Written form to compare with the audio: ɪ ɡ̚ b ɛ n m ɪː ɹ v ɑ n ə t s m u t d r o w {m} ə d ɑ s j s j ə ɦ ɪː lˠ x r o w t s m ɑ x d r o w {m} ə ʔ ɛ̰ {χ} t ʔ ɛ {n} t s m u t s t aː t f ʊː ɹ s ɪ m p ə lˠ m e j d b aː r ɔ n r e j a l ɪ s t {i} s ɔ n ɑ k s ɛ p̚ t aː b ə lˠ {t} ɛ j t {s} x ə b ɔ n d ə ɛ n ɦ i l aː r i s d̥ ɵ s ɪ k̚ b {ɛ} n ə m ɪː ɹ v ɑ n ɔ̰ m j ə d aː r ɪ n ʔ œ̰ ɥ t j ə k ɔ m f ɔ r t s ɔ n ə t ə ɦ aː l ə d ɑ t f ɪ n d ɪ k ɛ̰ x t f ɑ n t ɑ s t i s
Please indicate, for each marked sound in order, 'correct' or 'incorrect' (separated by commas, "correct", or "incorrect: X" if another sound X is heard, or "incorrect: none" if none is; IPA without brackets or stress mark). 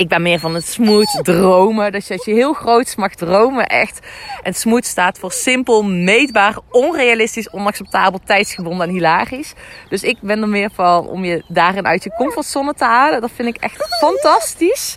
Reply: correct, correct, incorrect: x, correct, correct, correct, correct, correct